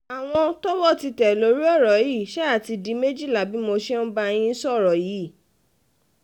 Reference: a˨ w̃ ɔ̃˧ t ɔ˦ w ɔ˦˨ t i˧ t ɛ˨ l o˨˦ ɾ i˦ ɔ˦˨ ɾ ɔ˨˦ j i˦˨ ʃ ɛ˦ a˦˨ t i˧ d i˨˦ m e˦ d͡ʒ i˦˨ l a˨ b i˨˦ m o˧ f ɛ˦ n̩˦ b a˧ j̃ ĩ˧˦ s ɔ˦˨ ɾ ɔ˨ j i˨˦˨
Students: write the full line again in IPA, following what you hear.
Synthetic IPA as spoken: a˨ w̃ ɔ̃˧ t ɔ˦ w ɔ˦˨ t i˧ t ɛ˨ l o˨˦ ɾ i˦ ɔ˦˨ ɾ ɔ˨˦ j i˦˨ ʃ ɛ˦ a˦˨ t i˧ d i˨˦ m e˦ d͡ʒ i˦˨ l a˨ b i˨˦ m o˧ ʃ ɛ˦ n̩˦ b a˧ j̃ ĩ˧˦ s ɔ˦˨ ɾ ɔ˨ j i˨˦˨